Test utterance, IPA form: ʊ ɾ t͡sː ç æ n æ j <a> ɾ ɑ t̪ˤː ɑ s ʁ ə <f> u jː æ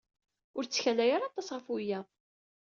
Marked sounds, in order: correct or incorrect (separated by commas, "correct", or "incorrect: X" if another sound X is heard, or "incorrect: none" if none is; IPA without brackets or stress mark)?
correct, correct